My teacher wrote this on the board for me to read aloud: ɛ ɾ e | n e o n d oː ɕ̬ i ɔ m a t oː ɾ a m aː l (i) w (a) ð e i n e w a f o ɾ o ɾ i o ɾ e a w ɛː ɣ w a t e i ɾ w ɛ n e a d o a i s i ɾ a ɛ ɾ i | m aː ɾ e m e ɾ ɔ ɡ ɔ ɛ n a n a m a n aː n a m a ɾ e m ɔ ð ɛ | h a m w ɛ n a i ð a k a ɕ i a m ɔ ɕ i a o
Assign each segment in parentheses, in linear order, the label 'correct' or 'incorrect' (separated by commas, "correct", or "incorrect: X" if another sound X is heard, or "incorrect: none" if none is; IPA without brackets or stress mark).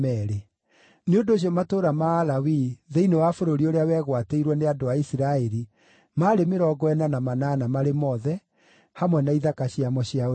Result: incorrect: a, incorrect: i